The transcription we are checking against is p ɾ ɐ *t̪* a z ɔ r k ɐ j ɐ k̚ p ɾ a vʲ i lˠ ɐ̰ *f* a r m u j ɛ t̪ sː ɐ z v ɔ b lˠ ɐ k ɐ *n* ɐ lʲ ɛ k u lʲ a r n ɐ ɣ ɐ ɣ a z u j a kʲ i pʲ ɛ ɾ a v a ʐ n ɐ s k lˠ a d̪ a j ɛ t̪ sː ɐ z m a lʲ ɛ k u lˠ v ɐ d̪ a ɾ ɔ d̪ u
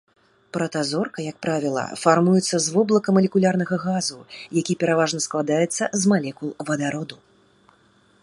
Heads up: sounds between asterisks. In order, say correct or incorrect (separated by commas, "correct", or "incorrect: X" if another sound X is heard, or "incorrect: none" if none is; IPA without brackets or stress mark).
correct, correct, incorrect: m